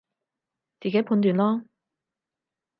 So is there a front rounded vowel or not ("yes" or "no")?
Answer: yes